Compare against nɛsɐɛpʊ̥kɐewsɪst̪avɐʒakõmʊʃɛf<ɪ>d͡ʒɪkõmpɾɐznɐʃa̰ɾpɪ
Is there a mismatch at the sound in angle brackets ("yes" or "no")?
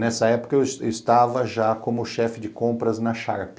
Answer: no